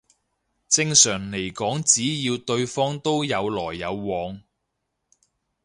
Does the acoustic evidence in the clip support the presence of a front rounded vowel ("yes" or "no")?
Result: yes